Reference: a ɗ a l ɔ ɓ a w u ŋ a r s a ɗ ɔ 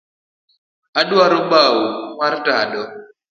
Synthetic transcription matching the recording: a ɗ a ɾ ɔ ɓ a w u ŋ a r t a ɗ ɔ